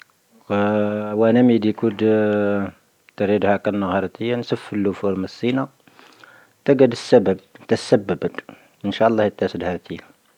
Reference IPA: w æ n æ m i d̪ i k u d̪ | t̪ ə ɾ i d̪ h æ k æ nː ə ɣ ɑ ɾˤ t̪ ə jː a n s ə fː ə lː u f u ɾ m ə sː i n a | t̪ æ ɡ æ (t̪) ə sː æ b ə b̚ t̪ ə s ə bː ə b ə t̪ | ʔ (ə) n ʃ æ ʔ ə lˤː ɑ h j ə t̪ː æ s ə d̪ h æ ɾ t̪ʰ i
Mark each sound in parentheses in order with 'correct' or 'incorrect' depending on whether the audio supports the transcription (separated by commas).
incorrect, correct